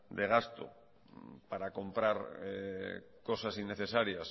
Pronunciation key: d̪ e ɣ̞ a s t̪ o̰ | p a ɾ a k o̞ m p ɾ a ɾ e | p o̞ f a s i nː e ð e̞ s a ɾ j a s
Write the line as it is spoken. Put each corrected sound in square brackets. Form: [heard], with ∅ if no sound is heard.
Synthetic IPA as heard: d̪ e ɣ̞ a s t̪ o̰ | p a ɾ a k o̞ m p ɾ a ɾ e | [k] o̞ [s] a s i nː e [θ] e̞ s a ɾ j a s